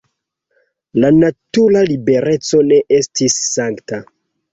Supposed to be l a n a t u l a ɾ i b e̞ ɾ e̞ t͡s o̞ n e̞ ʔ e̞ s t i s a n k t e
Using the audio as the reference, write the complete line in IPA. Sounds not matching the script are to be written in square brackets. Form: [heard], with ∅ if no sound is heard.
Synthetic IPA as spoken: l a n a t u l a [l] i b e̞ ɾ e̞ t͡s o̞ n e̞ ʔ e̞ s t i [sː] a [ŋ] k t [a]